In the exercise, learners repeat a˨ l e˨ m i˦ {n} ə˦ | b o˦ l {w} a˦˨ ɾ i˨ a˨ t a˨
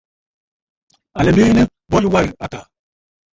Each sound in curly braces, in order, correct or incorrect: correct, correct

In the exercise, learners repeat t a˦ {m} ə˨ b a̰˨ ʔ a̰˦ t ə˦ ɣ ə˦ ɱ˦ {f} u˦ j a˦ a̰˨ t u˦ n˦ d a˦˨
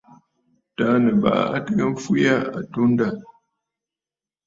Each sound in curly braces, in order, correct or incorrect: incorrect: n, correct

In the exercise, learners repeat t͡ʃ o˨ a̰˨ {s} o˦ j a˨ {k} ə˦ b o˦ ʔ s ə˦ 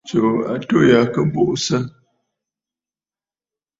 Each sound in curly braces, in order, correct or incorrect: incorrect: t, correct

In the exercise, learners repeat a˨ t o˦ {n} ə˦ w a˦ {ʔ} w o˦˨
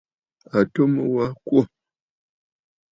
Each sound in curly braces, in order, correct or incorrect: incorrect: m, incorrect: k

